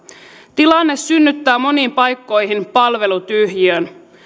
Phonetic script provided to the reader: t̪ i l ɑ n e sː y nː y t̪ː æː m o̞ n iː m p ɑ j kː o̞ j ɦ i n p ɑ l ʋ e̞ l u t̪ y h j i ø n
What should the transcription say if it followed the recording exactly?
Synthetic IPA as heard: t̪ i l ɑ nː e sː y nː y t̪ː æː m o̞ n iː m p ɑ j kː o̞ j ɦ i n p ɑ l ʋ e̞ l u t̪ y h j i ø n